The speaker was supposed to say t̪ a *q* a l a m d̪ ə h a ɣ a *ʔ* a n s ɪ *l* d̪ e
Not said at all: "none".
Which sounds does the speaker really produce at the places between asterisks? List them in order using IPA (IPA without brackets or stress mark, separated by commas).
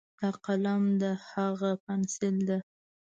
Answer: q, p, l